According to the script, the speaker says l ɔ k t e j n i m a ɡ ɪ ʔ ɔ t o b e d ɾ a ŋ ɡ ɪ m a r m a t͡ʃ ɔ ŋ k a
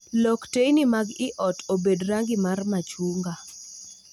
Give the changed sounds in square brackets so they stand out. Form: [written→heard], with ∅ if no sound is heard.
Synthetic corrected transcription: l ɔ k t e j n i m a ɡ ɪ ʔ ɔ t o b e d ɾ a ŋ ɡ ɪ m a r m a t͡ʃ [ɔ→u] ŋ [k→ɡ] a